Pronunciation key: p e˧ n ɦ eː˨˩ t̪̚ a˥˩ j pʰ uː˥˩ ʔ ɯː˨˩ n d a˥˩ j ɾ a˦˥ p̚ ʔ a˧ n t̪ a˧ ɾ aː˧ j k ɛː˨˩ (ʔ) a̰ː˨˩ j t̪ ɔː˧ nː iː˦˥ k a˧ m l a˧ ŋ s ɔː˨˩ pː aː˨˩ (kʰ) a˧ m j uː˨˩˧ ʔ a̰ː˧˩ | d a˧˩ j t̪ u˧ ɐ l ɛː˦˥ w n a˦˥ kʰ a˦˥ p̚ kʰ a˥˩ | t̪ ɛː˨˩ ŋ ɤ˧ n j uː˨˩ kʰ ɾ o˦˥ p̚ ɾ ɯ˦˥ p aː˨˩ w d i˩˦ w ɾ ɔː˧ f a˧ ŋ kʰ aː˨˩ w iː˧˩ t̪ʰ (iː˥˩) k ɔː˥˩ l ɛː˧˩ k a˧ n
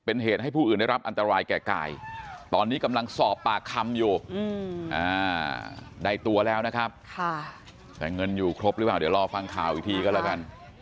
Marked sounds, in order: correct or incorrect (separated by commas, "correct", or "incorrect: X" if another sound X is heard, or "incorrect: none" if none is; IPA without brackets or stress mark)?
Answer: incorrect: k, correct, incorrect: iː˧